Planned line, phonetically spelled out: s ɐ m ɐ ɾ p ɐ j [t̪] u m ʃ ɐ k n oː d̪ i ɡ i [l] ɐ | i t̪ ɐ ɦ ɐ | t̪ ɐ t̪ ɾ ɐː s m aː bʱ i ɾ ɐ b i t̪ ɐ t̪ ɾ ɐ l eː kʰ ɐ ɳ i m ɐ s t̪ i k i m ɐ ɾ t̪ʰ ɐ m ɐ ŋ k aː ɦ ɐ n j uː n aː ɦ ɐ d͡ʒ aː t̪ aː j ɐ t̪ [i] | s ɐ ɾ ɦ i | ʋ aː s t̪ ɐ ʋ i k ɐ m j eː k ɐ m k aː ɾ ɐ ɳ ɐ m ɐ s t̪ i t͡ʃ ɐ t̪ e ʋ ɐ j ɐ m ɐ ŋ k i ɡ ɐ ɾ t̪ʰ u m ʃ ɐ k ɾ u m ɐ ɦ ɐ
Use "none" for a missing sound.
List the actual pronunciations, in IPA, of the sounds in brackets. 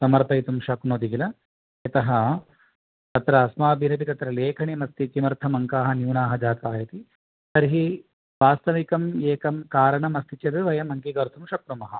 t̪, l, i

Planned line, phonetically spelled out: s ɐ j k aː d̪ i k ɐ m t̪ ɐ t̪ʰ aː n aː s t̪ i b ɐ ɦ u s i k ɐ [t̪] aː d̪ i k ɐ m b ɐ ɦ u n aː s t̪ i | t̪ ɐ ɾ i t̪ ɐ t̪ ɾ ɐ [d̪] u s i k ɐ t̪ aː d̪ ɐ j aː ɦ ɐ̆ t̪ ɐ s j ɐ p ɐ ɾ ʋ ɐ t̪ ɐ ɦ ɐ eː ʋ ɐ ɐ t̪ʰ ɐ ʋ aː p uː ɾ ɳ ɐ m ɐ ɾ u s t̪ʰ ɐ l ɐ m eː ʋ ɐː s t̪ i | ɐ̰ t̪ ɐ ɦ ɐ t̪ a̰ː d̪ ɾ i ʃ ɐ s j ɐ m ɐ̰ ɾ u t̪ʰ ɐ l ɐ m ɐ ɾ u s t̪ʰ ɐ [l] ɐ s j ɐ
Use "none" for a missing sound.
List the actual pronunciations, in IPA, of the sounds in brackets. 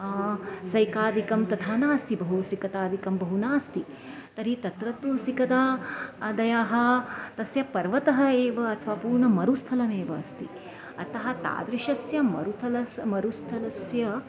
t̪, t̪, l

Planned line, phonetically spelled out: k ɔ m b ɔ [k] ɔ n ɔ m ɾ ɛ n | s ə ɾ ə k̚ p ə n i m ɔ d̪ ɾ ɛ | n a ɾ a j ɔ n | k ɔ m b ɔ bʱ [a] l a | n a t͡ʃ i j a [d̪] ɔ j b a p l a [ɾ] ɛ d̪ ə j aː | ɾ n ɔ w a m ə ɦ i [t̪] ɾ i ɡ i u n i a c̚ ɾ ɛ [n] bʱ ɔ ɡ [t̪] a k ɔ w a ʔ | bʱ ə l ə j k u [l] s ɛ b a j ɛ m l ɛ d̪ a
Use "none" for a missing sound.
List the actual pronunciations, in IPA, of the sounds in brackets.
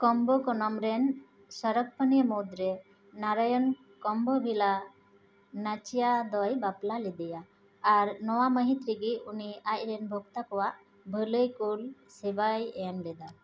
k, i, d̪, l, t̪, n, t̪, l

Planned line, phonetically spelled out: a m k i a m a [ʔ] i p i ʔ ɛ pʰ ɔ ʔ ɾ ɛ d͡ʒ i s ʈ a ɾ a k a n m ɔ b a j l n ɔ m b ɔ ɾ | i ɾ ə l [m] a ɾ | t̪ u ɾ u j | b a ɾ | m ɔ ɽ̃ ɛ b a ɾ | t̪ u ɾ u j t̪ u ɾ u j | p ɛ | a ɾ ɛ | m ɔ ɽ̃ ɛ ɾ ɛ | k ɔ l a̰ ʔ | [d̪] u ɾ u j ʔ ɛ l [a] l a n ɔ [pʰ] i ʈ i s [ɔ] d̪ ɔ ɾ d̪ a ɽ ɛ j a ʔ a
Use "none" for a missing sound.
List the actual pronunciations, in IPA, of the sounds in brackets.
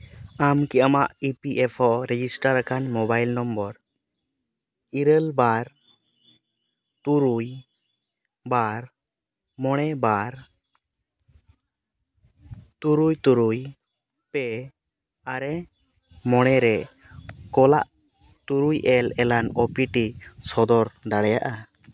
ʔ, b, t̪, ɛ, p, ɔ

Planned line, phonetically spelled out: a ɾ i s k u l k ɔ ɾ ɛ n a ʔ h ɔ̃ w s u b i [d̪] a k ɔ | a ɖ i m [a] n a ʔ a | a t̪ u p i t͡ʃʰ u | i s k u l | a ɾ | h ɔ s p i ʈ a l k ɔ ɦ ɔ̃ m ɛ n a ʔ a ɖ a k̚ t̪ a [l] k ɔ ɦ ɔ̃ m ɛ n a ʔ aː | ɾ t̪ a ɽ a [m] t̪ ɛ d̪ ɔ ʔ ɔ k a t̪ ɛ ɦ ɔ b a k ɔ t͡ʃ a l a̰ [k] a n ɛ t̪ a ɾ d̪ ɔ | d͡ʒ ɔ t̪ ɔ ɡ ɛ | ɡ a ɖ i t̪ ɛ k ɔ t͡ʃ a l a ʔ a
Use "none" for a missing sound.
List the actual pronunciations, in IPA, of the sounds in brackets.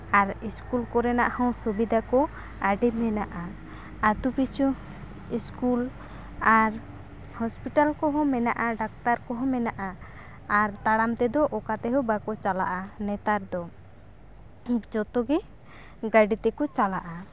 d̪, ɛ, ɾ, m, ʔ

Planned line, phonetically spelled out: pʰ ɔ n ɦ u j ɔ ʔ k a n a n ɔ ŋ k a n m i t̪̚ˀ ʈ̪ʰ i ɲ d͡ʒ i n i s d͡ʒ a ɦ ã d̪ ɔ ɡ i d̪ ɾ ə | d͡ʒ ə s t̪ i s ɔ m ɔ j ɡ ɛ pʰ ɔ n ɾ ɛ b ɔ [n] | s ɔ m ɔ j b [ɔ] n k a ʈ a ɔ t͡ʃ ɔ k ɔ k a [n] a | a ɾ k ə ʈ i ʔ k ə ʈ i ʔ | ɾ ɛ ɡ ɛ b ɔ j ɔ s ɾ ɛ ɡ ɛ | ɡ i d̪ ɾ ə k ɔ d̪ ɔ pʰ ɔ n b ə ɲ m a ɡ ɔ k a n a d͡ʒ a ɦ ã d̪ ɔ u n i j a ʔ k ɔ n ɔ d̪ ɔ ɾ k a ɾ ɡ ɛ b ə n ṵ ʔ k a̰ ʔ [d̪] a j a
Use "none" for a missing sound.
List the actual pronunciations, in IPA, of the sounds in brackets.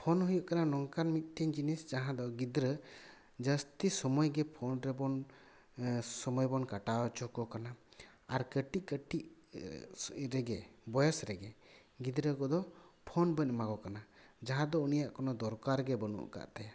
n, ɔ, n, t̪

